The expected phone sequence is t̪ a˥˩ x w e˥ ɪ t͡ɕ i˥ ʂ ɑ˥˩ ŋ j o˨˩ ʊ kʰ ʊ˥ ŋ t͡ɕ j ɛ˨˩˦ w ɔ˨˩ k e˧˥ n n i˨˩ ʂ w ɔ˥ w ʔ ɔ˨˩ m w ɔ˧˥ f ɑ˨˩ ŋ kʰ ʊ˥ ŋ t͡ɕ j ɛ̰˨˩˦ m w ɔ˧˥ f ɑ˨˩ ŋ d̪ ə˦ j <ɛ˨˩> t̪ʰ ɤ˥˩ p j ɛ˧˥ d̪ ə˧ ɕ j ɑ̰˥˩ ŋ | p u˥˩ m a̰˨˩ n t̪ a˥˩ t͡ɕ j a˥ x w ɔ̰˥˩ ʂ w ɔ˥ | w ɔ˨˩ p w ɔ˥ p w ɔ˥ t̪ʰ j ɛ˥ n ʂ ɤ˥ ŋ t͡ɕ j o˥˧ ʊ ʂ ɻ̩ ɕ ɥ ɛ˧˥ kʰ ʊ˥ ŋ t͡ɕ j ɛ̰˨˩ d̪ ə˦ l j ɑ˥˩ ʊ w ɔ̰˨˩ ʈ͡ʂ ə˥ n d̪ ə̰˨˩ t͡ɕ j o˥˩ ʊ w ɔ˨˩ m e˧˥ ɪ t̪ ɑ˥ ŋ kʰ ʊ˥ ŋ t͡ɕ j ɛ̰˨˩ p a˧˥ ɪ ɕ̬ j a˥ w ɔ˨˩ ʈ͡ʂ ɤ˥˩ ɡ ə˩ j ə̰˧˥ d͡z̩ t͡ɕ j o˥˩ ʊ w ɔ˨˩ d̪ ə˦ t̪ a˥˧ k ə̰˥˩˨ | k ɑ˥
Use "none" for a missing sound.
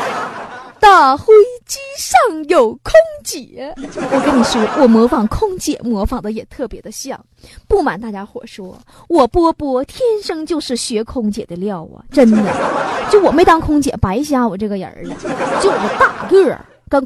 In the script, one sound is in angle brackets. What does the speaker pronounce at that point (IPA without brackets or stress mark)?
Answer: ɛ˨˩